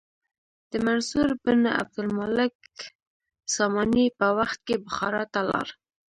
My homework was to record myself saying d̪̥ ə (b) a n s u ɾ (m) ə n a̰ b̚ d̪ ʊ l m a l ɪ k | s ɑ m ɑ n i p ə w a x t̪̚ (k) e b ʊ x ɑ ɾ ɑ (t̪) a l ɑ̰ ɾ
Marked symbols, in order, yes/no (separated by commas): no, no, yes, yes